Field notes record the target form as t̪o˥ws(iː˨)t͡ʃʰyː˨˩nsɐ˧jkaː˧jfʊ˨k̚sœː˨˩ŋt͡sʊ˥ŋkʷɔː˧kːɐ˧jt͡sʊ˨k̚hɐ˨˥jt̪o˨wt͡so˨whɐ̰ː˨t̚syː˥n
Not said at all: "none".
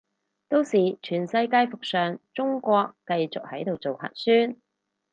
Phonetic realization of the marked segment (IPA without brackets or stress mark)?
iː˨